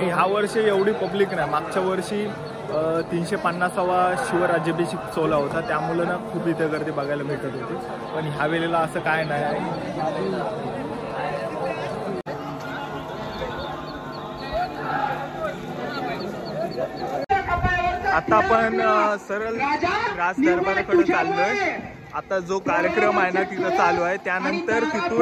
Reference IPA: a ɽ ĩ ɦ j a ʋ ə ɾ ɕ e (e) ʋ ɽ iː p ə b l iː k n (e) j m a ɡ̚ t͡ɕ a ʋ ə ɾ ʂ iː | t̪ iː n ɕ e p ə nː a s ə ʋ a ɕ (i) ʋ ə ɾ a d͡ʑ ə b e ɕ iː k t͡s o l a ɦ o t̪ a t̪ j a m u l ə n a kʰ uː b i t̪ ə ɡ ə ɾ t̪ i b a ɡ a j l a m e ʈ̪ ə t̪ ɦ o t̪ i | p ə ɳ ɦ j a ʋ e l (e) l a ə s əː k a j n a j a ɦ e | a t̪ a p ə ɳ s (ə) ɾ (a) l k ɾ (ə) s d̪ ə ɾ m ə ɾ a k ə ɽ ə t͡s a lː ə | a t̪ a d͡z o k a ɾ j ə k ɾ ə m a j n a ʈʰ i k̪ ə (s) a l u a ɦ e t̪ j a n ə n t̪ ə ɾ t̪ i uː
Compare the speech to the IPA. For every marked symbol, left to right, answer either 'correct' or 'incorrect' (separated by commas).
correct, incorrect, correct, correct, correct, incorrect, incorrect, incorrect